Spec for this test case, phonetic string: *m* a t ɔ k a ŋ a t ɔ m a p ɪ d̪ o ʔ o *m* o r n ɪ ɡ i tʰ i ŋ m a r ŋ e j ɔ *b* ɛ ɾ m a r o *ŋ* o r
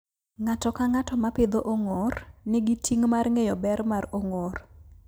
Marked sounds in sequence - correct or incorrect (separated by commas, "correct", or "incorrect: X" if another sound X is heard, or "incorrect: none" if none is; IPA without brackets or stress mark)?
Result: incorrect: ŋ, incorrect: ŋ, correct, correct